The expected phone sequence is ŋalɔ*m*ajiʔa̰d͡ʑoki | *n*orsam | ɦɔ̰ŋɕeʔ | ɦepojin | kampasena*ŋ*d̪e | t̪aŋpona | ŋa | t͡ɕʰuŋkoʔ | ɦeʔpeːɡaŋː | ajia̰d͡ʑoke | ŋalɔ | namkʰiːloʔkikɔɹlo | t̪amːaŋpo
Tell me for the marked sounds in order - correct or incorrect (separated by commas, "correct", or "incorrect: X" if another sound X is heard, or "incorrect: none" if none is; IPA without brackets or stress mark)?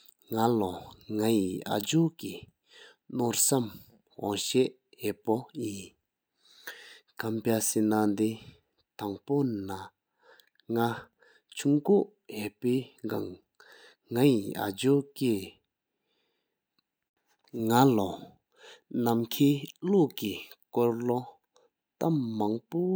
incorrect: ŋ, correct, incorrect: n